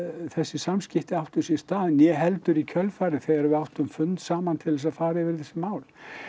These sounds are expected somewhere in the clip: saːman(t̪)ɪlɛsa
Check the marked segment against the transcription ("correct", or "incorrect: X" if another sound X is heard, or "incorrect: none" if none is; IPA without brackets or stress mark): incorrect: t̪ʰ